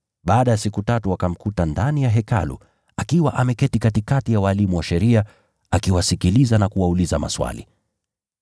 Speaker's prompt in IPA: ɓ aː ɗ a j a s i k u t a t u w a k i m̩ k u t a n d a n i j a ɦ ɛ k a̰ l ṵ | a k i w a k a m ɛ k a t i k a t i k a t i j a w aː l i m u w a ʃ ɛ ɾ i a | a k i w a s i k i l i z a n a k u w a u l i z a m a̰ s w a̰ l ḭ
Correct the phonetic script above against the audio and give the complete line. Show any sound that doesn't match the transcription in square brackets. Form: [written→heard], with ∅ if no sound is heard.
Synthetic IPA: ɓ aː ɗ a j a s i k u t a t u w a k [i→a] m̩ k u t a n d a n i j a ɦ ɛ k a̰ l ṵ | a k i w a [k→ʔ] a m ɛ k [a→ɛ] t i k a t i k a t i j a w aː l i m u w a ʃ ɛ ɾ i a | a k i w a s i k i l i z a n a k u w a u l i z a m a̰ s w a̰ l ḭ